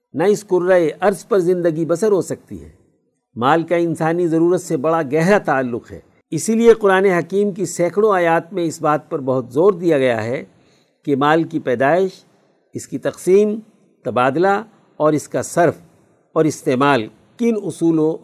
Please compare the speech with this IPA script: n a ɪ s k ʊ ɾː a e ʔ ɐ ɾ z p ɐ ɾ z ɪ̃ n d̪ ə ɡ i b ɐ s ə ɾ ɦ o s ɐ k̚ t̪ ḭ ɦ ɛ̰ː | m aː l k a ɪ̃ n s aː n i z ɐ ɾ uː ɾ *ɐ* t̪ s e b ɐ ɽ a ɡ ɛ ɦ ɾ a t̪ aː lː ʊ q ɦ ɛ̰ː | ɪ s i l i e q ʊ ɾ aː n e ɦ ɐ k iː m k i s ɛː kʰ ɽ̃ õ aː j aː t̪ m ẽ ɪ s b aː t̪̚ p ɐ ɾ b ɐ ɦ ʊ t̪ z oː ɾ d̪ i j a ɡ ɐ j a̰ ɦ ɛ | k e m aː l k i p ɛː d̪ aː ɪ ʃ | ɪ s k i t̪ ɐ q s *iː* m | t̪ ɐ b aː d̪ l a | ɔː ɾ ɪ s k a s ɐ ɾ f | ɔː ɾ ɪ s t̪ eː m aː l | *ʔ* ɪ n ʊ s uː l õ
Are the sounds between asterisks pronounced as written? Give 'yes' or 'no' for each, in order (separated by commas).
no, yes, no